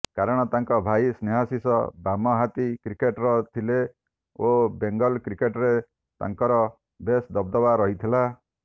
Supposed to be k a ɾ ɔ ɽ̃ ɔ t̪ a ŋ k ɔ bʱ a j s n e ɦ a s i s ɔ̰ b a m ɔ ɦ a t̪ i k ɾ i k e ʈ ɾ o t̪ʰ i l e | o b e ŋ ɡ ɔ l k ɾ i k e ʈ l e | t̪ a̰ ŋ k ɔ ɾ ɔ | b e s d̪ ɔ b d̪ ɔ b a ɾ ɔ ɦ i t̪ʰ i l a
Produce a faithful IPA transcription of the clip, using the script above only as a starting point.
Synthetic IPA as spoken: k a ɾ ɔ ɽ̃ ɔ t̪ a ŋ k ɔ bʱ a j s n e ɦ a s i s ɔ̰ b a m ɔ ɦ a t̪ i k ɾ i k e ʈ ɾ ɔ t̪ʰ i l e | o b e ŋ ɡ ɔ l k ɾ i k e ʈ ɾ e | t̪ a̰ ŋ k ɔ ɾ ɔ | b e s d̪ ɔ b d̪ ɔ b a ɾ ɔ ɦ i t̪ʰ i l a